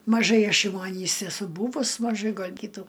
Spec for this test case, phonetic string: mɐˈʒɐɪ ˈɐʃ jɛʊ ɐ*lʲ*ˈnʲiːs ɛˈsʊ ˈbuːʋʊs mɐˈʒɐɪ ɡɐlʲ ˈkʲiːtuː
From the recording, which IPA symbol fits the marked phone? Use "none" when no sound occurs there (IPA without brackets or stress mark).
none